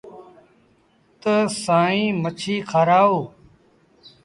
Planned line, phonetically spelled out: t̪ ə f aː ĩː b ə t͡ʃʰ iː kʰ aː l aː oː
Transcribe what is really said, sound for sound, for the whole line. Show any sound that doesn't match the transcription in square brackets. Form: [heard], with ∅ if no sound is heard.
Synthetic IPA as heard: t̪ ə [s] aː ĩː [m] ə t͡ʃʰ iː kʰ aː [ɾ] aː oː